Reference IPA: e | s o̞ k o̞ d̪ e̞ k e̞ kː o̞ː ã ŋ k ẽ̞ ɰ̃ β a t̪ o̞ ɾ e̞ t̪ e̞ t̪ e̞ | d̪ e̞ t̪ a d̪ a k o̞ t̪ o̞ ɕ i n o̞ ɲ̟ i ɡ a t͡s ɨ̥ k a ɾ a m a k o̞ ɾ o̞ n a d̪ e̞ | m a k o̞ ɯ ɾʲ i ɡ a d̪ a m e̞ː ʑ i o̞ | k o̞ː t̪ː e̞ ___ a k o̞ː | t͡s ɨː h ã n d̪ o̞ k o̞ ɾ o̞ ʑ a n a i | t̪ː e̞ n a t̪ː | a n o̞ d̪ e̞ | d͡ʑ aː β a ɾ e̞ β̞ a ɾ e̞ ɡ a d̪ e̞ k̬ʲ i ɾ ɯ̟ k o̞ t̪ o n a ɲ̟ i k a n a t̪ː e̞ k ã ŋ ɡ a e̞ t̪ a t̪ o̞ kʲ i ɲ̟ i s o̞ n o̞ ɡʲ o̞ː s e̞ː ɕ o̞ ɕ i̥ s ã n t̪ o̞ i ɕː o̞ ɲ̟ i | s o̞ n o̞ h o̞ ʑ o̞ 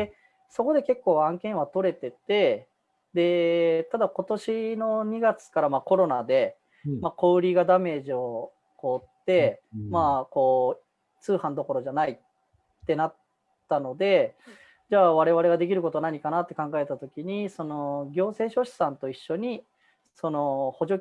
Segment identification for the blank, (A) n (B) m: B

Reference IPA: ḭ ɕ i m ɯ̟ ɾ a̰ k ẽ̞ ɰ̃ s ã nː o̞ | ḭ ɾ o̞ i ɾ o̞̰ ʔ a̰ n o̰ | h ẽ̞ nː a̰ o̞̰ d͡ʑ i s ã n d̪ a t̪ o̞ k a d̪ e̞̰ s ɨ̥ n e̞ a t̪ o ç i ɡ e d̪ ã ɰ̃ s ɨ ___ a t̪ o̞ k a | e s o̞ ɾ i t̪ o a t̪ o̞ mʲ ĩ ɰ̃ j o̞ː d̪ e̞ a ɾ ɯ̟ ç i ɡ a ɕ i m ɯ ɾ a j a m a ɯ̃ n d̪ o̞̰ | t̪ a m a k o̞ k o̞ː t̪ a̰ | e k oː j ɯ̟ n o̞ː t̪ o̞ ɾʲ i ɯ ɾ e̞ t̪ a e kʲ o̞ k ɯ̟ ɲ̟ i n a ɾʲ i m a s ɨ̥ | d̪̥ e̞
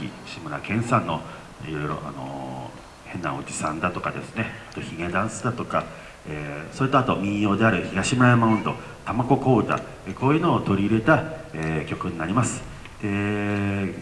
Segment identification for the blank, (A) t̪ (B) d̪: B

